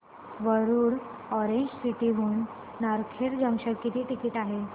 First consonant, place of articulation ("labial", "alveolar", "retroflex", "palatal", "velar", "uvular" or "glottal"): labial